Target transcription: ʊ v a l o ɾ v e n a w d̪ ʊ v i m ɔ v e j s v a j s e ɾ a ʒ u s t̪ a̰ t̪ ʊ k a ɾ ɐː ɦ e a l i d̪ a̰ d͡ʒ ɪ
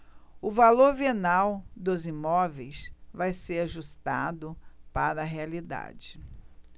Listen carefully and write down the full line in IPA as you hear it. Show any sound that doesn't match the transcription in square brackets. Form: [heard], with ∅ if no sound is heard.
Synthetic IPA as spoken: ʊ v a l o ɾ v e n a w d̪ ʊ [z] i m ɔ v e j s v a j s e ɾ a ʒ u s t̪ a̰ [d̪] ʊ [p] a ɾ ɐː ɦ e a l i d̪ a̰ d͡ʒ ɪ